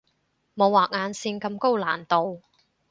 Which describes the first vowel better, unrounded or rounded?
rounded